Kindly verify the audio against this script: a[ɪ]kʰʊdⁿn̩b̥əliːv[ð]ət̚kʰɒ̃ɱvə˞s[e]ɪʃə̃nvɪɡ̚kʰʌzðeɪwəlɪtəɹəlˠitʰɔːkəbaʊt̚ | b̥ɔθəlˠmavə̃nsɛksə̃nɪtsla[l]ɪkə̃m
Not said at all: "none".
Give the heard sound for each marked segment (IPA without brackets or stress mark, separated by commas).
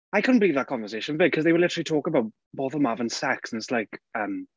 ɪ, ð, e, none